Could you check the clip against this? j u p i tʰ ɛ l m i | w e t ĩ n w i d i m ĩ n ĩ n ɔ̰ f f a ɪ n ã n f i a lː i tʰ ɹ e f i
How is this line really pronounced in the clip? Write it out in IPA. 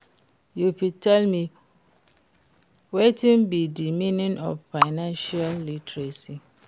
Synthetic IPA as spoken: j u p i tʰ ɛ l m i | w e t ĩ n b i d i m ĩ n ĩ n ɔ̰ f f a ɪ n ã n ʃ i a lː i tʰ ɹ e s i